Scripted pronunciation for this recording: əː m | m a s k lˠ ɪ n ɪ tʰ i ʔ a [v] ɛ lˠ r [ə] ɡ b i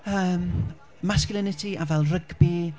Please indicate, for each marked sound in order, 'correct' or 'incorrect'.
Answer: correct, correct

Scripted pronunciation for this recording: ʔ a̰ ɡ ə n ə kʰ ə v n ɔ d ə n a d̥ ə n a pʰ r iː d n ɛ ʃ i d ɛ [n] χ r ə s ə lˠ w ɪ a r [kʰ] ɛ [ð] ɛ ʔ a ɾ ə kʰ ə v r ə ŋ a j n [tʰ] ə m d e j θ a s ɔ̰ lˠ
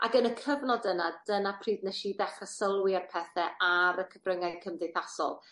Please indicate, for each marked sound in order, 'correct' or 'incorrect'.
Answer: incorrect: none, incorrect: pʰ, incorrect: θ, incorrect: kʰ

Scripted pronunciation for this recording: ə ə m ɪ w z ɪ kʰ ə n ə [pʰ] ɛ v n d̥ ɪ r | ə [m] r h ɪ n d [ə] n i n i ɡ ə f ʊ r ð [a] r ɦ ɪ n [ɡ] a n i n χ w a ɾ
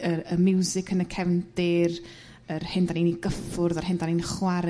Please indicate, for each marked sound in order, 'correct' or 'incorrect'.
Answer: incorrect: kʰ, incorrect: none, incorrect: a, correct, incorrect: d

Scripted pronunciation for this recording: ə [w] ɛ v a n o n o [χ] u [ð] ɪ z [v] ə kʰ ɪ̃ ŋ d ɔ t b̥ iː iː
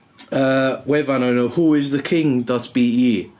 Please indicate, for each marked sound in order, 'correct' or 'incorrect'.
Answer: correct, incorrect: h, incorrect: none, incorrect: ð

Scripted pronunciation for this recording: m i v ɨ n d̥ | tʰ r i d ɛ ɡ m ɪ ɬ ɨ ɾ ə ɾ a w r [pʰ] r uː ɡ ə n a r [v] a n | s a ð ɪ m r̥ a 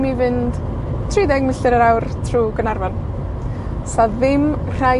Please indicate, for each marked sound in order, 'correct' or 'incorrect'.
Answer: incorrect: tʰ, correct

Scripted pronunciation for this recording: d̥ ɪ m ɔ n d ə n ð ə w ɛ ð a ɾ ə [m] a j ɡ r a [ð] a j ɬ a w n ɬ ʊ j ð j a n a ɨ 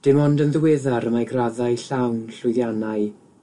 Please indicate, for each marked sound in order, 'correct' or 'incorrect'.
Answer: correct, correct

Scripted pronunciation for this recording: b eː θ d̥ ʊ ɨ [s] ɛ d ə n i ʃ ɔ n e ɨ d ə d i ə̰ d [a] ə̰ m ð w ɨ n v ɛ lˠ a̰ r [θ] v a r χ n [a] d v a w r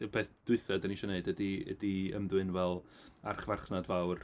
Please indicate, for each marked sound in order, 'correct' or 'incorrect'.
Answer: incorrect: θ, incorrect: i, incorrect: χ, correct

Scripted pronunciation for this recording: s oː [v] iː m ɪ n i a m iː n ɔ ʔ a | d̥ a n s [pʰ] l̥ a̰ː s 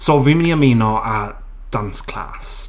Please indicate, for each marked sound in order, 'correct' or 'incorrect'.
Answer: correct, incorrect: kʰ

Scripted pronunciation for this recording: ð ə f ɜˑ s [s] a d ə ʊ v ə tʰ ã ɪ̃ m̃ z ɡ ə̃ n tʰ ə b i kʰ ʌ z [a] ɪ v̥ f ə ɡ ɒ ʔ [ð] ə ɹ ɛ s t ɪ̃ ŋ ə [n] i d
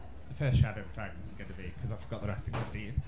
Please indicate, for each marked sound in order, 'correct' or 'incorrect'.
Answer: incorrect: ʃ, correct, correct, incorrect: d

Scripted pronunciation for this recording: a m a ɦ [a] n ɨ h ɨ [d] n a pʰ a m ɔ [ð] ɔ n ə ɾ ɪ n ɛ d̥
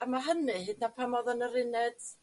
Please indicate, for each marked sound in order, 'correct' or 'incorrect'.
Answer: incorrect: ə, correct, correct

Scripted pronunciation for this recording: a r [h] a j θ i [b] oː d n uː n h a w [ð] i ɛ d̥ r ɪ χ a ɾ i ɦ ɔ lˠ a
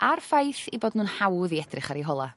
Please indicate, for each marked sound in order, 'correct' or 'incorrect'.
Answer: incorrect: f, correct, correct

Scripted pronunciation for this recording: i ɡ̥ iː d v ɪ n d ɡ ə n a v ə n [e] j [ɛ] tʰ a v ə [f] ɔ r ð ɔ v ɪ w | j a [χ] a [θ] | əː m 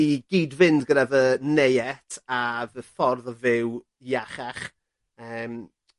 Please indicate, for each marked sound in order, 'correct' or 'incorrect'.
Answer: correct, correct, correct, correct, incorrect: χ

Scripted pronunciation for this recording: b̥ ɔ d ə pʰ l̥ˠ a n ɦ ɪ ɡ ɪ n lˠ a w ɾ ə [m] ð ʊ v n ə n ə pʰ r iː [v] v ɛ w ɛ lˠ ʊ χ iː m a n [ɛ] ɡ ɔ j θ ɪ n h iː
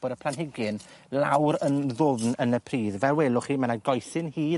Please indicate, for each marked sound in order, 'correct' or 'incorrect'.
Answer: incorrect: n, incorrect: ð, incorrect: a

